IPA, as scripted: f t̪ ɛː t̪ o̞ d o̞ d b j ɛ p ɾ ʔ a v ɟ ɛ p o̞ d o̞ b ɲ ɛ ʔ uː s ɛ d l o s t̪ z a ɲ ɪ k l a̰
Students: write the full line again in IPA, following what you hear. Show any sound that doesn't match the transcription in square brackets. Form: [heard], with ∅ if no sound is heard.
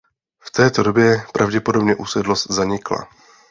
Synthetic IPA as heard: f t̪ ɛː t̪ o̞ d o̞ [∅] b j ɛ p ɾ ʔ a v ɟ ɛ p o̞ d o̞ b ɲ ɛ ʔ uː s ɛ d l o s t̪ z a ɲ ɪ k l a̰